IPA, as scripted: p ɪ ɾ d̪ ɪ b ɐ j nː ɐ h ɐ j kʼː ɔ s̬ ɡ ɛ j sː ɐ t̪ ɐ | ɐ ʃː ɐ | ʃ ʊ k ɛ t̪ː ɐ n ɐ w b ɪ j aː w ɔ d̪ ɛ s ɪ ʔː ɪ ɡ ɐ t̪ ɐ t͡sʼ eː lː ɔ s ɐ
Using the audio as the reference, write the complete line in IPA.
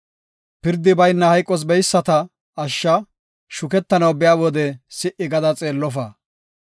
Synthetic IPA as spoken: p ɪ ɾ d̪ ɪ b ɐ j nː ɐ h ɐ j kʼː ɔ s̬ b ɛ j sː ɐ t̪ ɐ | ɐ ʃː ɐ | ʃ ʊ k ɛ t̪ː ɐ n ɐ w b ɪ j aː w ɔ d̪ ɛ s ɪ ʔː ɪ ɡ ɐ d̪ ɐ t͡sʼ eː lː ɔ f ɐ